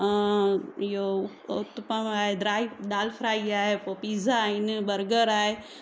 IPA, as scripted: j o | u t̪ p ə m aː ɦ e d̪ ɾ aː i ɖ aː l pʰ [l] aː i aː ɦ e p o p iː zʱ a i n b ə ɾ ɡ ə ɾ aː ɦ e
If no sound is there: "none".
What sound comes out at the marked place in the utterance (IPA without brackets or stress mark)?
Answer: ɾ